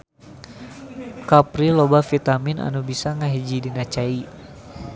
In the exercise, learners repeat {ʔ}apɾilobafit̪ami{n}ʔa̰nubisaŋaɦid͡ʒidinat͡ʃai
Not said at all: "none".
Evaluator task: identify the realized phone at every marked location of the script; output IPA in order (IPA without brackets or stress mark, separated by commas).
k, n